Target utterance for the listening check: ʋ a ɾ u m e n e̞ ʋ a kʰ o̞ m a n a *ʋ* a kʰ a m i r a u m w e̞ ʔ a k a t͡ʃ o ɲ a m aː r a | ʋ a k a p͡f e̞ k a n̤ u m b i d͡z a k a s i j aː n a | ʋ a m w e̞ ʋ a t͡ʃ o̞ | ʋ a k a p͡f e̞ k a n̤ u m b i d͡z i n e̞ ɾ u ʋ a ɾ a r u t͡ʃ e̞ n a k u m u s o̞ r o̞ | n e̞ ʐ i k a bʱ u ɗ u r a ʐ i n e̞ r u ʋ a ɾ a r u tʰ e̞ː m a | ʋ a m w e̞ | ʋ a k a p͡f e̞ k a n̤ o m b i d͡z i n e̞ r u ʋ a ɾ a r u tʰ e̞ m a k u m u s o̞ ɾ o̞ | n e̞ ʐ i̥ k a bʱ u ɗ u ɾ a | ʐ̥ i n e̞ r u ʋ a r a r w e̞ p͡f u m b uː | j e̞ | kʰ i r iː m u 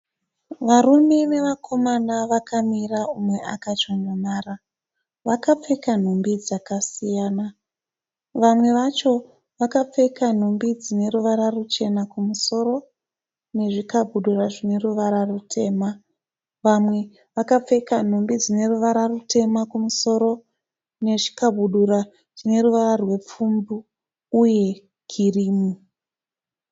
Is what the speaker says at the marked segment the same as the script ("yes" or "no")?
yes